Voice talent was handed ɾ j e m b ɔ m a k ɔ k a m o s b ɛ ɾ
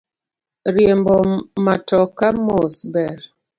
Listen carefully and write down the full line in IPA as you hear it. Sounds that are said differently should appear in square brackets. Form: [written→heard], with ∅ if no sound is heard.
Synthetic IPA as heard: ɾ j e m b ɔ m a [k→t] ɔ k a m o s b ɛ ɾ